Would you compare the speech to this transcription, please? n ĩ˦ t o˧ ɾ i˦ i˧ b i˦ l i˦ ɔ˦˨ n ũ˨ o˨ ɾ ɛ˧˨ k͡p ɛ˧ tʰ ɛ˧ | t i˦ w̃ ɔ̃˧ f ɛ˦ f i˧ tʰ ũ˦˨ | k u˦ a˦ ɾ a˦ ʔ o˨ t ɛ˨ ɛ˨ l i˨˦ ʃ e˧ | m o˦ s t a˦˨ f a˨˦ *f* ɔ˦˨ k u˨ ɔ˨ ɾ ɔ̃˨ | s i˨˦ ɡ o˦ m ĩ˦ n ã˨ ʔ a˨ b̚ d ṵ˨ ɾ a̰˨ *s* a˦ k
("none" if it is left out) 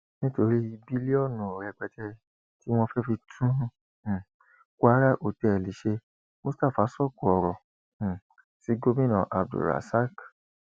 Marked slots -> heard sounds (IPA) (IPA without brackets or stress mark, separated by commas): s, s